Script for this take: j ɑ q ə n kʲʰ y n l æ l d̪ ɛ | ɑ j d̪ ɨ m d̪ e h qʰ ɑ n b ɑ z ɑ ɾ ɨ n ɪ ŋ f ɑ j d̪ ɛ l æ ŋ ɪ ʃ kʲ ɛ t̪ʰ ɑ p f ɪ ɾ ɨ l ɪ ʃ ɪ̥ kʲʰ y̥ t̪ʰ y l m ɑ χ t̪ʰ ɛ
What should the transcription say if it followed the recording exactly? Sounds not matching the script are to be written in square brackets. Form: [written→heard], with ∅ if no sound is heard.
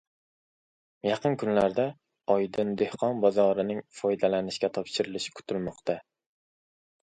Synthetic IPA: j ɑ q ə n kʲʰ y n l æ [l→ɾ] d̪ ɛ | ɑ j d̪ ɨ [m→n] d̪ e h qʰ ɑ n b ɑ z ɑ ɾ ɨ n ɪ ŋ f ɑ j d̪ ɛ l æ [ŋ→n] ɪ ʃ kʲ ɛ t̪ʰ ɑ p [f→ʃ] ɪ ɾ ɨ l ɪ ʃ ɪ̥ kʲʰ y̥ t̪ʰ y l m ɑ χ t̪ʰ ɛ